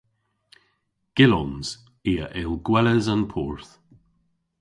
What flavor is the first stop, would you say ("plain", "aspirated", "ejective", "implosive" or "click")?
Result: plain